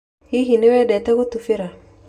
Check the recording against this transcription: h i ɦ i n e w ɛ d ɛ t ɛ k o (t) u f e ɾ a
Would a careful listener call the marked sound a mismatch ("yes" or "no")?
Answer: no